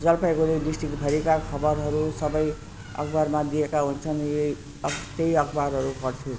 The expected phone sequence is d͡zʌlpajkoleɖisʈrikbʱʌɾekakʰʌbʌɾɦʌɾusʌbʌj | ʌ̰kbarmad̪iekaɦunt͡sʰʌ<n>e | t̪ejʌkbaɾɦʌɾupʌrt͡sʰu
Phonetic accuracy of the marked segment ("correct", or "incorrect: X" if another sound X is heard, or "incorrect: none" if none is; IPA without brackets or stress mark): correct